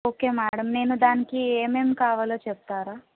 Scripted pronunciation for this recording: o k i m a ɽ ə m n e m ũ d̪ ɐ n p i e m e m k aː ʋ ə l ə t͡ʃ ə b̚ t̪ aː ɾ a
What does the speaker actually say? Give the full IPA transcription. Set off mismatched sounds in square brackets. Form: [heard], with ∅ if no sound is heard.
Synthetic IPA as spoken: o k [e] m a ɽ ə m n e [n] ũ d̪ [a] n [k] i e m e m k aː ʋ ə l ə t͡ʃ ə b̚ t̪ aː ɾ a